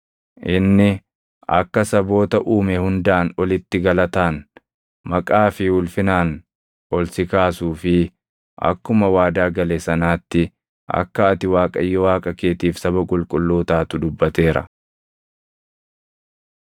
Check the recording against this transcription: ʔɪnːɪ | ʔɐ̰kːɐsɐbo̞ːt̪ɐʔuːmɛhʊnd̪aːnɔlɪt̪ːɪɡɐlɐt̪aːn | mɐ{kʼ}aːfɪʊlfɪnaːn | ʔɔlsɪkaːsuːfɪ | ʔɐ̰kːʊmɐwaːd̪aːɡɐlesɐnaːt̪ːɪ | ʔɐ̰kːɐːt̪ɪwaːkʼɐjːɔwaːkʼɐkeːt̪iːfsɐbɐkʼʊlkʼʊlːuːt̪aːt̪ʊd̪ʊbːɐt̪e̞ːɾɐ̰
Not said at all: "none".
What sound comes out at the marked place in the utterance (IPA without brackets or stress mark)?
kʼ